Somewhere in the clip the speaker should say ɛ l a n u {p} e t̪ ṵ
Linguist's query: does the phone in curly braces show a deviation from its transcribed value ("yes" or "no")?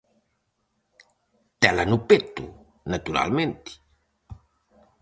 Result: no